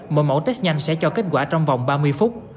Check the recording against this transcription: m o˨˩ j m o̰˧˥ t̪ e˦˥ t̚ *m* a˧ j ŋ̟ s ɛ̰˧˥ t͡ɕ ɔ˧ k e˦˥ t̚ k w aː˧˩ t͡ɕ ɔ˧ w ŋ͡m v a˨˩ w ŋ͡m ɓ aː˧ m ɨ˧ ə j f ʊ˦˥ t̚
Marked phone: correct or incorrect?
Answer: incorrect